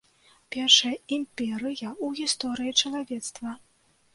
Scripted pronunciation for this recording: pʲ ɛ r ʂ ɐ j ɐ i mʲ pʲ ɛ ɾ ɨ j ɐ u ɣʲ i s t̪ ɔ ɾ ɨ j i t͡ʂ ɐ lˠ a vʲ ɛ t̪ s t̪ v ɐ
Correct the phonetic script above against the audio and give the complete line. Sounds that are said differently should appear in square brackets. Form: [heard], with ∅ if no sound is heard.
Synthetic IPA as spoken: pʲ ɛ r ʂ ɐ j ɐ i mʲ pʲ ɛ ɾ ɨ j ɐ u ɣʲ i s t̪ ɔ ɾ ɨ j i t͡ʂ ɐ lˠ a vʲ ɛ t̪ s t̪ v ɐ